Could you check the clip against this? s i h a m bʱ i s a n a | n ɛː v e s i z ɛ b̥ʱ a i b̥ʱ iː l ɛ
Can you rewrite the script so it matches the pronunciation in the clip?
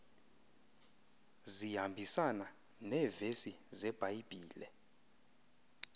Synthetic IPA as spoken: z i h a m bʱ i s a n a | n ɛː v e s i z ɛ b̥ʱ a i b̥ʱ iː l ɛ